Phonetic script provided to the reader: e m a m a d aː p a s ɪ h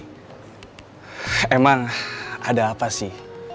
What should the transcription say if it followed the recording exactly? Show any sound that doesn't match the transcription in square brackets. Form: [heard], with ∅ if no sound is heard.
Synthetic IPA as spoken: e m a [ŋ] a d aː p a s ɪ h